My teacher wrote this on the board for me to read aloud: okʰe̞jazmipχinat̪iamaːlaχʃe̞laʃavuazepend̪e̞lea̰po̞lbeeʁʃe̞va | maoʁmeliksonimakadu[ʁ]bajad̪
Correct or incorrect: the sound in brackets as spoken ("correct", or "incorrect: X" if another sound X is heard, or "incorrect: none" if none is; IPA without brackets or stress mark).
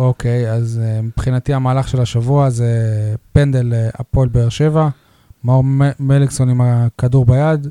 correct